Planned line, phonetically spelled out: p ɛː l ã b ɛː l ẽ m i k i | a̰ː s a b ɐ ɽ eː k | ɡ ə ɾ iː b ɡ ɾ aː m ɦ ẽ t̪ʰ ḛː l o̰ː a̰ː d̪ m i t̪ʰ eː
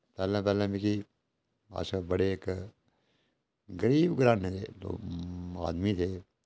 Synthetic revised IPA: p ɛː l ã p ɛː l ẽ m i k i | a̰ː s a b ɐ ɽ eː k | ɡ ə ɾ iː b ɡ ɾ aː n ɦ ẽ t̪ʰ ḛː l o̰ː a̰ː d̪ m i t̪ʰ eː